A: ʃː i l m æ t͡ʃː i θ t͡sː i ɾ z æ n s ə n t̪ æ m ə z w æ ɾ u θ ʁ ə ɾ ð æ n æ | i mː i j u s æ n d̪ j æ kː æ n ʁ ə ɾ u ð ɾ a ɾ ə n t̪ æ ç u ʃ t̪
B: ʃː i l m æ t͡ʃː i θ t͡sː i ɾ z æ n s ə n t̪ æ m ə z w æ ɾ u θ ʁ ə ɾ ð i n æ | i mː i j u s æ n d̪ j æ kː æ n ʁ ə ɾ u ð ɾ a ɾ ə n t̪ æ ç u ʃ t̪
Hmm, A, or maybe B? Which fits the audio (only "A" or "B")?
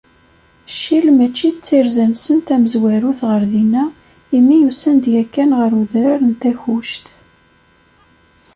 B